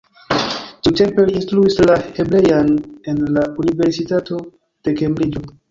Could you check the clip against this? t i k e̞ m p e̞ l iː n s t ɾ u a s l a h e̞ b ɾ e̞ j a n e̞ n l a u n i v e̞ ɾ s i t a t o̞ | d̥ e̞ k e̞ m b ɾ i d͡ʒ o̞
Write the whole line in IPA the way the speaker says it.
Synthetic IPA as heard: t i t e̞ m p e̞ l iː n s t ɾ u i s l a h e̞ b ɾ e̞ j a n e̞ n l a u n i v e̞ ɾ s i t a t o̞ | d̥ e̞ k e̞ m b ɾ i d͡ʒ o̞